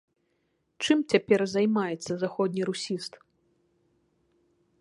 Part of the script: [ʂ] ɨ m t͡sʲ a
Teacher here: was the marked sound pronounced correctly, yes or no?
no